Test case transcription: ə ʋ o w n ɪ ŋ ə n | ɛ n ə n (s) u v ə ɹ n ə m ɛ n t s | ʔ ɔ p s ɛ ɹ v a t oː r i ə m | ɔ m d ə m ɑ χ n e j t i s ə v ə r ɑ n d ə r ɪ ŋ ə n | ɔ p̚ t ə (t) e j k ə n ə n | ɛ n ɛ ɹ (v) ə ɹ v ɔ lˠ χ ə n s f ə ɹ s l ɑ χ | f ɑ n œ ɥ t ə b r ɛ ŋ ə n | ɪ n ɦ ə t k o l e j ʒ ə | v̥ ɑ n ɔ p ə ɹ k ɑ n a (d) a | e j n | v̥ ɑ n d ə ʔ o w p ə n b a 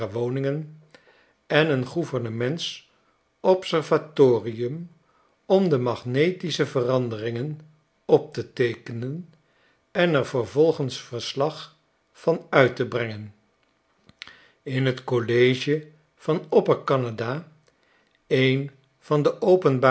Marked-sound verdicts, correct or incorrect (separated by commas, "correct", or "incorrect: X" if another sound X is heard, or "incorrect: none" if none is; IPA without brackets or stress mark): incorrect: χ, correct, correct, correct